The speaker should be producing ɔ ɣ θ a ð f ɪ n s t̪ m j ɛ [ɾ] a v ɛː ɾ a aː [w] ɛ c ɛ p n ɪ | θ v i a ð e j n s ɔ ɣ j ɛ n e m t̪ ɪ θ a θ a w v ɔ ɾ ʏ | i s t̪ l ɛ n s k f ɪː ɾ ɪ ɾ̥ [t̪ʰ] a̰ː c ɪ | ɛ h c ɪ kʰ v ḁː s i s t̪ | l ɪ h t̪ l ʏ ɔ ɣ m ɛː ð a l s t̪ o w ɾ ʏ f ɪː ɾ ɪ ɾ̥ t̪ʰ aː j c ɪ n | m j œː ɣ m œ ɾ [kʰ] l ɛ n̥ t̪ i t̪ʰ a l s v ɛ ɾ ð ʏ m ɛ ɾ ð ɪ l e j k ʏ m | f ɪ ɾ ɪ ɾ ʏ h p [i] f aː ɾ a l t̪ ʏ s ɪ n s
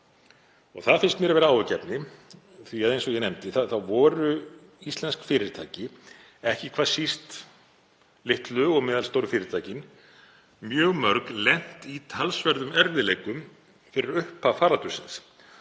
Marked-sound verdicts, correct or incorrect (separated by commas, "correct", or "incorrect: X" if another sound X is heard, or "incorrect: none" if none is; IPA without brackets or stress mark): correct, correct, correct, incorrect: k, incorrect: a